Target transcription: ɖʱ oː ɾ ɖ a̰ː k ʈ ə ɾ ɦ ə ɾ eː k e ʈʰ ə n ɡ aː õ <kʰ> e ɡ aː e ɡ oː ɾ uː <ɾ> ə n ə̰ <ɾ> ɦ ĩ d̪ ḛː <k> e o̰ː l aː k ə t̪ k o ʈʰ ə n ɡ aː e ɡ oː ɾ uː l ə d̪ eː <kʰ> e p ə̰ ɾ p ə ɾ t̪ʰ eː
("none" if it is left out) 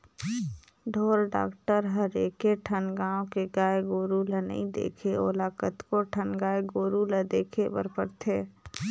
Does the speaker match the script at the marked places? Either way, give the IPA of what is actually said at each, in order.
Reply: k, l, none, kʰ, kʰ

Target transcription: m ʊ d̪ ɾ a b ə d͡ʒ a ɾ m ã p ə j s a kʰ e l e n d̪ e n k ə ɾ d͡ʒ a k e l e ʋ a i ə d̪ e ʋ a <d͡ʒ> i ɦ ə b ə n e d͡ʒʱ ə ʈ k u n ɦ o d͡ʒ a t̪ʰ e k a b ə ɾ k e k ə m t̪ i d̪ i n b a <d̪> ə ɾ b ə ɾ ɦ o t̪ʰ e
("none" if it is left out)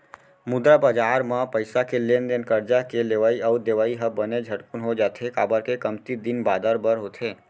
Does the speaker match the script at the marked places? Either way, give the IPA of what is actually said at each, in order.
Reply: none, d̪

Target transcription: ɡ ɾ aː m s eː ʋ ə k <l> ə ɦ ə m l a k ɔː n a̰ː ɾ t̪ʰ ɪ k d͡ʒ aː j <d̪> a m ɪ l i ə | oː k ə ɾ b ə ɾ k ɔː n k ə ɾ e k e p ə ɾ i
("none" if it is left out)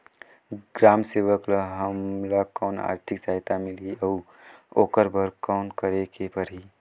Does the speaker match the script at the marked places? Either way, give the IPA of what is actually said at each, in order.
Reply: l, t̪

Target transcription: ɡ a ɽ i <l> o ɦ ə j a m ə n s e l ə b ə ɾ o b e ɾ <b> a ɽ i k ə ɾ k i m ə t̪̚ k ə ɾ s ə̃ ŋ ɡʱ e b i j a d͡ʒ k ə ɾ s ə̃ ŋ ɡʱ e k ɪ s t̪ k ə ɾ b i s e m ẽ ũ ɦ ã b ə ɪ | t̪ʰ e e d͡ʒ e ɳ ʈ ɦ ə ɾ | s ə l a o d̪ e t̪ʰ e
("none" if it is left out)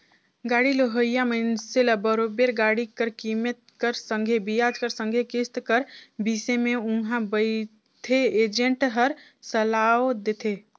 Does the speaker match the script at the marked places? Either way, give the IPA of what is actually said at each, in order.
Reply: l, ɡ

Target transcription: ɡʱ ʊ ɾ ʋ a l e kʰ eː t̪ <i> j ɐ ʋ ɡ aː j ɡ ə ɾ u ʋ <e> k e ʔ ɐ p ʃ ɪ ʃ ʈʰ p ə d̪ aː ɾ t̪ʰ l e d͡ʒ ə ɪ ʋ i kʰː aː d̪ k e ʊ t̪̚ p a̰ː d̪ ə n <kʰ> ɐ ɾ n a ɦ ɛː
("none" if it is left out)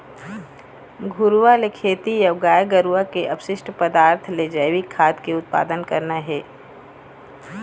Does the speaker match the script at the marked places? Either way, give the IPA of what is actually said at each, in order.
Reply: i, a, k

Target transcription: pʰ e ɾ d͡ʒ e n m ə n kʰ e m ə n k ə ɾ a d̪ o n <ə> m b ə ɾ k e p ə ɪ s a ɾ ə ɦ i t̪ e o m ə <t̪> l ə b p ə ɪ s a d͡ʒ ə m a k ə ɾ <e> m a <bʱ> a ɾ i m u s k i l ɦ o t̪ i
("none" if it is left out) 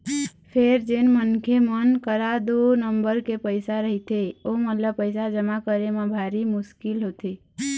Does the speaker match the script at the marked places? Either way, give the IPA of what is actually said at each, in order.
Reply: ə, t̪, e, bʱ

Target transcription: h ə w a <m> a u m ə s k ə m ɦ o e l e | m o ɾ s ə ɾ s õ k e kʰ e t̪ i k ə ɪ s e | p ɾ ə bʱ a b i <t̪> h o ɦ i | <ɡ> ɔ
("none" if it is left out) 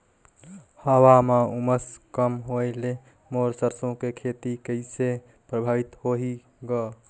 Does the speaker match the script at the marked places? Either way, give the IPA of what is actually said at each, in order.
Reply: m, t̪, ɡ

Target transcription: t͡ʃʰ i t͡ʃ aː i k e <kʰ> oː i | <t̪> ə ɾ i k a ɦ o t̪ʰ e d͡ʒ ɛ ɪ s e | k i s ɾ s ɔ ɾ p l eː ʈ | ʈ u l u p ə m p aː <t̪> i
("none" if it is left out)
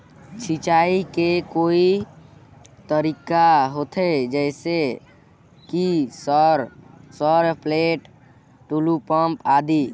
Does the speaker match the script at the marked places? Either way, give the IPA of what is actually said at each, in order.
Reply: k, t̪, d̪

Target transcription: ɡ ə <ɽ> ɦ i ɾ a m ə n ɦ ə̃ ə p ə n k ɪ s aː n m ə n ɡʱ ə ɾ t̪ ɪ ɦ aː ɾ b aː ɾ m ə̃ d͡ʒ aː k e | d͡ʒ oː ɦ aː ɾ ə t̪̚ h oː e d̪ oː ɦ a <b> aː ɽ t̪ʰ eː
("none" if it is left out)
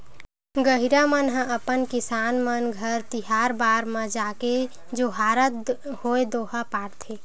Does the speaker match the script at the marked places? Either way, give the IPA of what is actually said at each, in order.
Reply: none, p

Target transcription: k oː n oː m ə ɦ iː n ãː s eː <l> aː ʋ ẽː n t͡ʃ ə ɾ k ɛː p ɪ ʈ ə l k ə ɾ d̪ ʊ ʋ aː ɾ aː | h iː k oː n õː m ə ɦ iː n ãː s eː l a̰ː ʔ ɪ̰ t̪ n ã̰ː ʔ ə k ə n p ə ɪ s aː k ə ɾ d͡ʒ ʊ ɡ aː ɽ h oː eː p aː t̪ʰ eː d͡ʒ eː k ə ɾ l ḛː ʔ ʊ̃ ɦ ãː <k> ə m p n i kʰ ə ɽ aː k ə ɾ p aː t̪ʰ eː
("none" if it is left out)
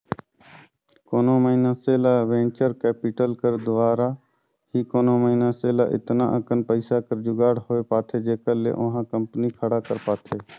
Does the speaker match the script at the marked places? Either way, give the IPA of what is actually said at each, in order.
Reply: l, k

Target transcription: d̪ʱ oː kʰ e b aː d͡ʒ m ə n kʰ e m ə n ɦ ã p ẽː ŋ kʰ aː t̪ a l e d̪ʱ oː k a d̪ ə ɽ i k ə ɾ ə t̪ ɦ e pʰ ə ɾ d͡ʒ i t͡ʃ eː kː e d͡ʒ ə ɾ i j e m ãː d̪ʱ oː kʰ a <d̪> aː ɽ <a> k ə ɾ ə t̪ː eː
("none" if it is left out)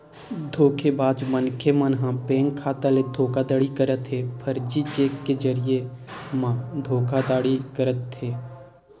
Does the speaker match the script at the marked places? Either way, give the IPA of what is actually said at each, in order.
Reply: d̪, i

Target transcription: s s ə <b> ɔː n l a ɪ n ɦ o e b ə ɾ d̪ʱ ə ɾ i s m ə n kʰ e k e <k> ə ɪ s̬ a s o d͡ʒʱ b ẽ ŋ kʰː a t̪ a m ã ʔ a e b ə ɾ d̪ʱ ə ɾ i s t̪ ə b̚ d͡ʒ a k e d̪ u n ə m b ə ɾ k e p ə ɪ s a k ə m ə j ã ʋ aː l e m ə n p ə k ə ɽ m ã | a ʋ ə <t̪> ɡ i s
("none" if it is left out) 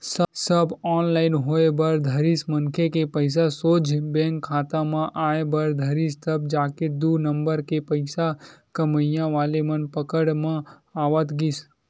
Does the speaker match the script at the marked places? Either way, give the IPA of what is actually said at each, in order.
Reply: b, p, t̪

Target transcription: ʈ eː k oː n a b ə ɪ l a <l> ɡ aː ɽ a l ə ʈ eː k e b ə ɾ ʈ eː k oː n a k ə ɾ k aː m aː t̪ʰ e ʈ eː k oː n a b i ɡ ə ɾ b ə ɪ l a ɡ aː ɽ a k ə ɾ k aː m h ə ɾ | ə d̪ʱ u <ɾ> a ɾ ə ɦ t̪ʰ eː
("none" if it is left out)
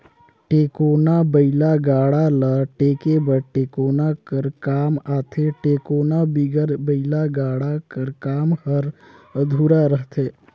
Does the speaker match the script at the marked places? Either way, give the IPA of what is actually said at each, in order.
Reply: none, ɾ

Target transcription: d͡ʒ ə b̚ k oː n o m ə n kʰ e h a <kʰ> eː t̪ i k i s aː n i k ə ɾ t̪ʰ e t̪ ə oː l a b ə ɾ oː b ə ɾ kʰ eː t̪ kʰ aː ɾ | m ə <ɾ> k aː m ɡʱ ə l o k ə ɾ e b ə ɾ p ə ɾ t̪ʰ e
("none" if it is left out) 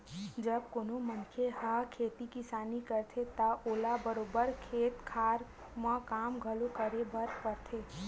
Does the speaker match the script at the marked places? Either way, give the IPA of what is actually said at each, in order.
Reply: kʰ, none

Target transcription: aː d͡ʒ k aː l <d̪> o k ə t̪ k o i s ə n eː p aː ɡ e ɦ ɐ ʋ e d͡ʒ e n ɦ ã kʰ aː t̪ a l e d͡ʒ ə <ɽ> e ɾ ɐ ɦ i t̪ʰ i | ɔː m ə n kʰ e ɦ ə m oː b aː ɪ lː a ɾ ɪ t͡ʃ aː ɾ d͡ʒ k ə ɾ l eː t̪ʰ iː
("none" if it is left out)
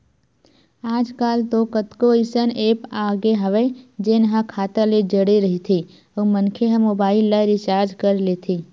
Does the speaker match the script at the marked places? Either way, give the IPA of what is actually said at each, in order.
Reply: t̪, ɽ

